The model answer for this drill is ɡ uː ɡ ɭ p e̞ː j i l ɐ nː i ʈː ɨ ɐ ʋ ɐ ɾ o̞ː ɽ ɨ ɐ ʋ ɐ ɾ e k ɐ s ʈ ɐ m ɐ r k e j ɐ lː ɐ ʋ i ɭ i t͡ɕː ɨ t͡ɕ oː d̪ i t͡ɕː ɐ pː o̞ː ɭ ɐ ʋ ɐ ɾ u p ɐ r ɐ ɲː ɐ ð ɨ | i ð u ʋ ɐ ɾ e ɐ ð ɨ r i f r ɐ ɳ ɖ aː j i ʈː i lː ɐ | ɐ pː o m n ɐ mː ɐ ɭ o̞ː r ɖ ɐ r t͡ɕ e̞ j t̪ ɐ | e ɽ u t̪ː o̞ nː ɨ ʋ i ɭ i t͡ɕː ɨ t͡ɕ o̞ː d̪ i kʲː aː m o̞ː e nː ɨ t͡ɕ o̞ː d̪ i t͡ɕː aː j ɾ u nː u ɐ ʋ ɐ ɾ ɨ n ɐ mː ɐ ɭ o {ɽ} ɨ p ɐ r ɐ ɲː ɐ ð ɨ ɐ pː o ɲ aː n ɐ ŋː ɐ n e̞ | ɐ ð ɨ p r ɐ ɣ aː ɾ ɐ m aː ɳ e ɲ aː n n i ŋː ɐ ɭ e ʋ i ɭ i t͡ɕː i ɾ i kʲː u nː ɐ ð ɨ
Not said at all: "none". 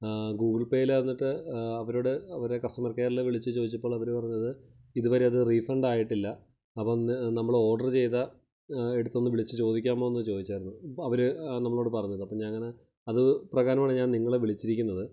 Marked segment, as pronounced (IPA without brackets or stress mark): ɽ